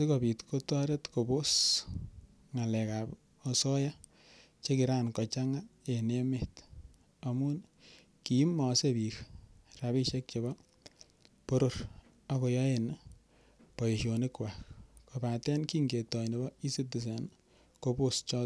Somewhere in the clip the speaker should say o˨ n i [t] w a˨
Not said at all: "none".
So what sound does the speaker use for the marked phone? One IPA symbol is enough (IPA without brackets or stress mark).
k